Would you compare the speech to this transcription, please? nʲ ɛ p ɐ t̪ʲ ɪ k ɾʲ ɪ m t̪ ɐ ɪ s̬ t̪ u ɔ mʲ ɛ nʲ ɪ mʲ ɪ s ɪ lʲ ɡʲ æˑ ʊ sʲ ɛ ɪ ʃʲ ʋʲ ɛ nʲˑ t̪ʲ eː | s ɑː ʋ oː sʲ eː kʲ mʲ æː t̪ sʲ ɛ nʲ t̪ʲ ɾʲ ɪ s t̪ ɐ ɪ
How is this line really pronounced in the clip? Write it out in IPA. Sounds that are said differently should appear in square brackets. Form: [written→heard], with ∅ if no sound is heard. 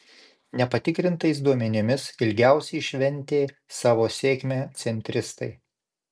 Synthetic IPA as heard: nʲ ɛ p ɐ t̪ʲ ɪ k ɾʲ ɪ [m→n] t̪ ɐ ɪ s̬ [t̪→d̪] u ɔ mʲ ɛ nʲ ɪ mʲ ɪ s ɪ lʲ ɡʲ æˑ ʊ sʲ ɛ ɪ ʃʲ ʋʲ ɛ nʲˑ t̪ʲ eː | s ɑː ʋ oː sʲ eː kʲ mʲ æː t̪ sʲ ɛ nʲ t̪ʲ ɾʲ ɪ s t̪ ɐ ɪ